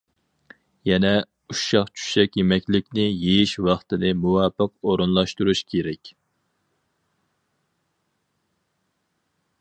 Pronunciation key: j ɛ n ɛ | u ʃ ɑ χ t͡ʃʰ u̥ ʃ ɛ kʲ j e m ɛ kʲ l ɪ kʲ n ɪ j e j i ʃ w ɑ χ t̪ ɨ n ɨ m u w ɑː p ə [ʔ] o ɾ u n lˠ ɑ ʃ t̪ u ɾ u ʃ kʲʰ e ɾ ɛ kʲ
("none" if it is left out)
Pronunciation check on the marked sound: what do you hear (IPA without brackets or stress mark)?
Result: q